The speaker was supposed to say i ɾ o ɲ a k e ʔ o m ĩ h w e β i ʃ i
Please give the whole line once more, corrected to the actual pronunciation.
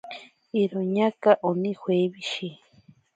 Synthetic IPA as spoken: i ɾ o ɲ a k a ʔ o n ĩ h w e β i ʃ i